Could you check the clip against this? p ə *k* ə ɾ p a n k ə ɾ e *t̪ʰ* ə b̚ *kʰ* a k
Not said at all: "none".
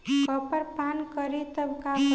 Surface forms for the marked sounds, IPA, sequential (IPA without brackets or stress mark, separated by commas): p, t̪, k